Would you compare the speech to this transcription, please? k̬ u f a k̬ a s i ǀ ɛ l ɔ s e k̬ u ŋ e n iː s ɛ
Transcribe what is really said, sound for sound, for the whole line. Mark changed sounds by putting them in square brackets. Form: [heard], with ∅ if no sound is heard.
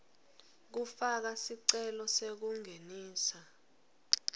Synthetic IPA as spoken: k̬ u f a k̬ a s i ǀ ɛ l ɔ s e k̬ u ŋ e n iː s [a]

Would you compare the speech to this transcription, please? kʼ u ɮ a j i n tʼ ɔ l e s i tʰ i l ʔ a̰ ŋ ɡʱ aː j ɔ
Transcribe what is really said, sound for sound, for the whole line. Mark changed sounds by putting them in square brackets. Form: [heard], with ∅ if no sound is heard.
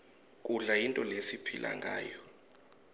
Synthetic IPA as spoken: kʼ u ɮ a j i n tʼ ɔ l e s i [pʰ] i l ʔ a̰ ŋ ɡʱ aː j ɔ

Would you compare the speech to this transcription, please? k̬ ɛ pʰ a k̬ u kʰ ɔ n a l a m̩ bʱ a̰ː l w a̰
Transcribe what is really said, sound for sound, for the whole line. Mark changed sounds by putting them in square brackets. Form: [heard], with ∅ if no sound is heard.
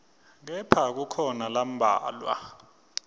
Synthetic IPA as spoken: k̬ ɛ pʰ a k̬ u kʰ ɔ n a l a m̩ bʱ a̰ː l w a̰

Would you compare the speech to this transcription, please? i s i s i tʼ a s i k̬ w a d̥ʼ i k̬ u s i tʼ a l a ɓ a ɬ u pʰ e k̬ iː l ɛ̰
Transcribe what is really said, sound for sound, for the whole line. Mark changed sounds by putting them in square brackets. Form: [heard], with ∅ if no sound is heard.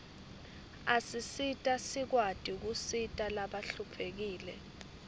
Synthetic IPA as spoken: [a] s i s i tʼ a s i k̬ w a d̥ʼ i k̬ u s i tʼ a l a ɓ a ɬ u pʰ e k̬ iː l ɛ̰

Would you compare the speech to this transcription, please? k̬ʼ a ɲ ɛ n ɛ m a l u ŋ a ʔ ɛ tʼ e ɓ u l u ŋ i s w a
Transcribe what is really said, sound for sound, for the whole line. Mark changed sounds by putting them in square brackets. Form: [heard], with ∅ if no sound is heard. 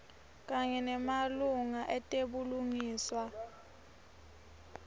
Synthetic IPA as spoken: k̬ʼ a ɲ ɛ n ɛ m a l u ŋ a ʔ ɛ tʼ e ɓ u l u ŋ [iː] s w a

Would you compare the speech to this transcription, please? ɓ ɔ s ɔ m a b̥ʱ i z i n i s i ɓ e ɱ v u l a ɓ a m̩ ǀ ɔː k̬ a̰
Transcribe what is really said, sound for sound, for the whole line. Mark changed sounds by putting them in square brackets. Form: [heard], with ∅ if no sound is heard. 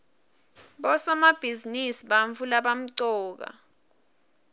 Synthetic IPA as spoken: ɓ ɔ s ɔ m a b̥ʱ i z i n i s i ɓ [a] ɱ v u l a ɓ a m̩ ǀ ɔː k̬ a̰

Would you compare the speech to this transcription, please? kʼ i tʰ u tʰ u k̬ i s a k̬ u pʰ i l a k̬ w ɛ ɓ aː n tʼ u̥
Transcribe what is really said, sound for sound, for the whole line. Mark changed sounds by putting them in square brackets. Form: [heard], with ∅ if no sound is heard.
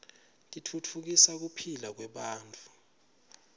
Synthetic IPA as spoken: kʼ i tʰ u tʰ u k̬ i s a k̬ u pʰ i l a k̬ w ɛ ɓ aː n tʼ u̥

